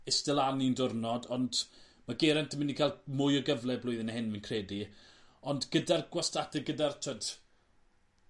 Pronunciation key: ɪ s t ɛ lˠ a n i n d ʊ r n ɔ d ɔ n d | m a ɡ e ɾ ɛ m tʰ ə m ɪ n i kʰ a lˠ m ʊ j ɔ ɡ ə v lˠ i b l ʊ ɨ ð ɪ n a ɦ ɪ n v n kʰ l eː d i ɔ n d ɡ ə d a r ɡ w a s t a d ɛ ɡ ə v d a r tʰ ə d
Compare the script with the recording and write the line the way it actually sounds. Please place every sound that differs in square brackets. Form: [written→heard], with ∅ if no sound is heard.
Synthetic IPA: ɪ s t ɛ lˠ a n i n d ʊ r n ɔ d ɔ n d | m a ɡ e ɾ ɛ [m→n] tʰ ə m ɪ n i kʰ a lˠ m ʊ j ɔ ɡ ə v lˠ [i→ɛ] b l ʊ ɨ ð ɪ n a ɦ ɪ n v n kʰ [l→r] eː d i ɔ n d ɡ ə d a r ɡ w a s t a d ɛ ɡ ə [v→∅] d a r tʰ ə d

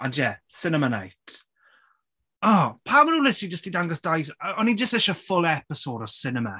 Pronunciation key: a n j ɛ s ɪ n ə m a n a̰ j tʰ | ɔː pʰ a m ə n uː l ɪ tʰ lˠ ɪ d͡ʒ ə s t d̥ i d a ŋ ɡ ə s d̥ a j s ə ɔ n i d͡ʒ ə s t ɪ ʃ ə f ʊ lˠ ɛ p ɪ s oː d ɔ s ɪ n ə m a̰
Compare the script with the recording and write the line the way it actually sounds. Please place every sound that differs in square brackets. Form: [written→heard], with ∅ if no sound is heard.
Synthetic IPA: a n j ɛ s ɪ n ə m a n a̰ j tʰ | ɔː pʰ a m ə n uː l ɪ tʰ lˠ [ɪ→i] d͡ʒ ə s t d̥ i d a ŋ ɡ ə s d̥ a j s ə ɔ n i d͡ʒ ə s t ɪ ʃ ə f ʊ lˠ ɛ p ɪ s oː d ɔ s ɪ n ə m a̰

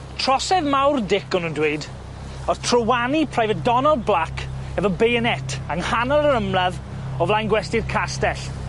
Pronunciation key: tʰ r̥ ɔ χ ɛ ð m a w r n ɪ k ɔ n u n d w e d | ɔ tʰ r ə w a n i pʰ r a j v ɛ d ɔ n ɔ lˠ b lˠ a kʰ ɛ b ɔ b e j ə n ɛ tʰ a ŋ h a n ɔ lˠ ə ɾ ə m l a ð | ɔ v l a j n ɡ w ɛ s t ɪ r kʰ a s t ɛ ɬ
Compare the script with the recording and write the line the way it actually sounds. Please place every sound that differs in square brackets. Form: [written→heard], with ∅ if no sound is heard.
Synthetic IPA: tʰ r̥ ɔ [χ→s] ɛ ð m a w r [n→d] ɪ k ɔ n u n d w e d | ɔ tʰ r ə w a n i pʰ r a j v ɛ d ɔ n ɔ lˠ b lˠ a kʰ ɛ [b→v] ɔ b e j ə n ɛ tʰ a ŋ h a n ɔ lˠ ə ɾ ə m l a ð | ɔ v l a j n ɡ w ɛ s t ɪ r kʰ a s t ɛ ɬ

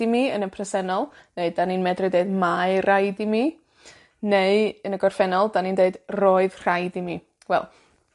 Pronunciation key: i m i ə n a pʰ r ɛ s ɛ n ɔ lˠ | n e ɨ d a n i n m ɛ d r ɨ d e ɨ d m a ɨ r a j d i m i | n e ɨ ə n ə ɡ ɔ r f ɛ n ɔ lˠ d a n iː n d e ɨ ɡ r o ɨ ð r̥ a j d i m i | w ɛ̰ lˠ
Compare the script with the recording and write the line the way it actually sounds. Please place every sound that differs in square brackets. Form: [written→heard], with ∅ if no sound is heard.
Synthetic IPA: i m i ə n [a→ə] pʰ r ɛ s ɛ n ɔ lˠ | n e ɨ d a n i n m ɛ d r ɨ d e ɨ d m a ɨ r a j d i m i | n e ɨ ə n ə ɡ ɔ r f ɛ n ɔ lˠ d a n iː n d e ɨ [ɡ→d] r o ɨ ð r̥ a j d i m i | w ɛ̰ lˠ

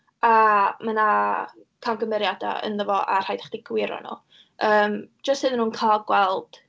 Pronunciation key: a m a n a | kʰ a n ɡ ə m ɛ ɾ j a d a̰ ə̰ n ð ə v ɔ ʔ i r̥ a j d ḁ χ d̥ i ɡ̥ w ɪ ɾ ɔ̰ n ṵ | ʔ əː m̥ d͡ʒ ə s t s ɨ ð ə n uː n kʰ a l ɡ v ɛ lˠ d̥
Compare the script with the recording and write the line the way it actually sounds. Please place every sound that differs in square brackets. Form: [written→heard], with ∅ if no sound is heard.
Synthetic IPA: a m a n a | kʰ a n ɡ ə m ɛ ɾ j a d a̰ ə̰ n ð ə v ɔ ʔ [i→a] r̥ a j d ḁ χ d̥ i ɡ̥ w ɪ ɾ ɔ̰ n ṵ | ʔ əː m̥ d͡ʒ ə s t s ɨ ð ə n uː n kʰ a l ɡ [v→w] ɛ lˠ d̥

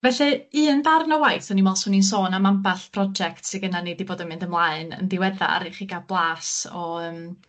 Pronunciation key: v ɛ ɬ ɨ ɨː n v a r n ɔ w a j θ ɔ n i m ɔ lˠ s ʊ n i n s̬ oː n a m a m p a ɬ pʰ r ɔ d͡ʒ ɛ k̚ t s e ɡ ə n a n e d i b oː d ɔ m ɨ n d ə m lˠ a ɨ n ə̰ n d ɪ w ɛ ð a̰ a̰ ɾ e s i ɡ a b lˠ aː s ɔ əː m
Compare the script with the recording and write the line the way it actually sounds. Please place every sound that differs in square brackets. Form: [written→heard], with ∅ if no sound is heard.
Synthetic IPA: v ɛ ɬ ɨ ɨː n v a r n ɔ w a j θ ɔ n i m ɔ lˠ s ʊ n i n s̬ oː n a m a m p a ɬ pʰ r ɔ d͡ʒ ɛ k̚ t s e ɡ ə n a n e d i b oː d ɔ m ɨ n d ə m lˠ a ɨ n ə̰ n d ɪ w ɛ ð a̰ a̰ ɾ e [s→χ] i ɡ a b lˠ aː s ɔ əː m

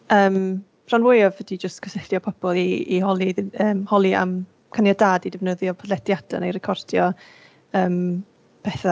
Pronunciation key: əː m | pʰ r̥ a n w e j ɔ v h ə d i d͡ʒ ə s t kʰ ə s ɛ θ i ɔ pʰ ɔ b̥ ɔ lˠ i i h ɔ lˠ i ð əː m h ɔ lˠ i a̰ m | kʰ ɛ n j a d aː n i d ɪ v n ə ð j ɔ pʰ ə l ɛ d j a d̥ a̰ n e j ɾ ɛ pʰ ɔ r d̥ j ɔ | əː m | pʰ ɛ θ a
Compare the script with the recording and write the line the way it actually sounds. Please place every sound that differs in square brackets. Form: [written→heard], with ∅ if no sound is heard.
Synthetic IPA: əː m | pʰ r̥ a n w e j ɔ v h ə d i d͡ʒ ə s t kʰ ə s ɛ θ [i→j] ɔ pʰ ɔ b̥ ɔ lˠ i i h ɔ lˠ i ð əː m h ɔ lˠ i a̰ m | kʰ [ɛ→a] n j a d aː [n→d] i d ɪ v n ə ð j ɔ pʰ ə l ɛ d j a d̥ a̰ n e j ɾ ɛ [pʰ→kʰ] ɔ r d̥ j ɔ | əː m | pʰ ɛ θ a

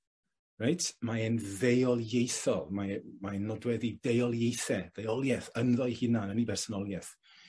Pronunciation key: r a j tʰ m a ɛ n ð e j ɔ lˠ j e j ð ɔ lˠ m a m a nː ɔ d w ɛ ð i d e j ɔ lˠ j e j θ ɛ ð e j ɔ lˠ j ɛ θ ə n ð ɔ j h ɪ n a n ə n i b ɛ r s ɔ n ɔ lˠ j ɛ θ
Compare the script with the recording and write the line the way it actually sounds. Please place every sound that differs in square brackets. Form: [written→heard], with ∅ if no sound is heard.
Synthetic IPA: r a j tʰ m a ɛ n ð e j ɔ lˠ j e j [ð→θ] ɔ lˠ m a m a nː ɔ d w ɛ ð i d e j ɔ lˠ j e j θ ɛ ð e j ɔ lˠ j ɛ θ ə n ð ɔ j h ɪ n a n ə n i b ɛ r s ɔ n ɔ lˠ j ɛ θ

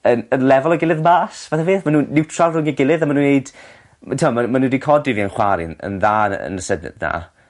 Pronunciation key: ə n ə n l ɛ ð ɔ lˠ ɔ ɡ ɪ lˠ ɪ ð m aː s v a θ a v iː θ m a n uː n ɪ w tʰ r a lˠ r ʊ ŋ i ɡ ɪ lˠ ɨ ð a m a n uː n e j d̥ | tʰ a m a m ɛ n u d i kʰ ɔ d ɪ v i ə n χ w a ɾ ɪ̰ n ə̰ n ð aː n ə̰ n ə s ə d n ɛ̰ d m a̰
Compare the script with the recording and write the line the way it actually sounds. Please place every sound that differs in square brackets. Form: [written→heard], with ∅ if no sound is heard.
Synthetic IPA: ə n ə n l ɛ [ð→v] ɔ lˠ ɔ ɡ ɪ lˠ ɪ ð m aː s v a θ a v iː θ m a n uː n ɪ w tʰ r a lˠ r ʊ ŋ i ɡ ɪ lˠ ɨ ð a m a n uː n e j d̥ | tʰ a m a m [ɛ→a] n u d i kʰ ɔ d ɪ v i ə n χ w a ɾ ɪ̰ n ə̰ n ð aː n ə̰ n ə s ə d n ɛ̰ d [m→n] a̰

